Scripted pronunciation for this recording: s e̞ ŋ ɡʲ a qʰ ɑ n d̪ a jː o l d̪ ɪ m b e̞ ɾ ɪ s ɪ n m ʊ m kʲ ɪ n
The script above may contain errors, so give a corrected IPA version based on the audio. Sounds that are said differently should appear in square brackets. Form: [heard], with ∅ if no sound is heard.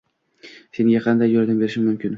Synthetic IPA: s e̞ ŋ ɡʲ a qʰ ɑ n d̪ a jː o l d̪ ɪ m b e̞ ɾ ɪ [ʃ] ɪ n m ʊ m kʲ ɪ n